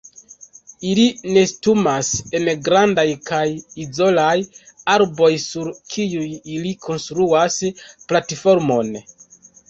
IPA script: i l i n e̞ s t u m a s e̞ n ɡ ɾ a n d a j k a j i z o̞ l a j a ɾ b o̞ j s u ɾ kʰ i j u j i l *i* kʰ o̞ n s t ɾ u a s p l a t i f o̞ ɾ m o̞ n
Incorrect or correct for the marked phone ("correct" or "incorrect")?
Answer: correct